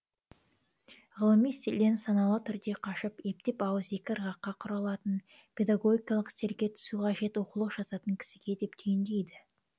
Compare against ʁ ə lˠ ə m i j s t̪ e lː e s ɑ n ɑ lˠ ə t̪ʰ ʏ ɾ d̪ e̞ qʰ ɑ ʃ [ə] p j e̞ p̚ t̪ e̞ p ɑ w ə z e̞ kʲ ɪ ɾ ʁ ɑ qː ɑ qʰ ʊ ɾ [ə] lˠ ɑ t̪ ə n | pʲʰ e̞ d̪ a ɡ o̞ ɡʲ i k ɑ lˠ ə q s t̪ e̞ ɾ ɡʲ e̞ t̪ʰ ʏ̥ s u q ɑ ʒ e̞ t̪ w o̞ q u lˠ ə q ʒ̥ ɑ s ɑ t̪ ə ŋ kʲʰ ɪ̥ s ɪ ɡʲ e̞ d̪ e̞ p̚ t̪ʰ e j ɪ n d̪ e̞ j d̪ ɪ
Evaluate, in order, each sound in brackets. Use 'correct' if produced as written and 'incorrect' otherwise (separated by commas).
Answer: correct, incorrect